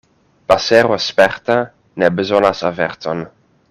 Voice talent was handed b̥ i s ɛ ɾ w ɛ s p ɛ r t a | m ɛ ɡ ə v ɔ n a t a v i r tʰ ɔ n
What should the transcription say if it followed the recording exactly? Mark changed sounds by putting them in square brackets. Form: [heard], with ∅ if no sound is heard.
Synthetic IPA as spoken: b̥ [a] s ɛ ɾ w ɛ s p ɛ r t a | [n] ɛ [b] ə [z] ɔ n a [s] a v [ɛ] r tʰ ɔ n